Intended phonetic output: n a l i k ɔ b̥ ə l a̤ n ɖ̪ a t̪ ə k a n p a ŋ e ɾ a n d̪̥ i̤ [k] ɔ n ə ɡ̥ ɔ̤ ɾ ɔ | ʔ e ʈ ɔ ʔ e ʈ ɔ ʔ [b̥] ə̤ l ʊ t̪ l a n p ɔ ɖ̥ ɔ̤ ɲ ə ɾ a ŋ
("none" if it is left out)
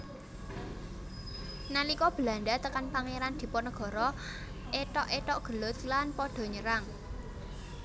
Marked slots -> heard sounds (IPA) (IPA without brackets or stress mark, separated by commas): p, ɡ̥